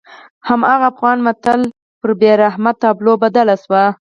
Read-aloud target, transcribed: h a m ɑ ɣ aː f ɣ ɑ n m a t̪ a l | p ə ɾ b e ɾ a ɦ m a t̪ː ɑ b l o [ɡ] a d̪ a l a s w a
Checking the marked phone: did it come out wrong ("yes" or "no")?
yes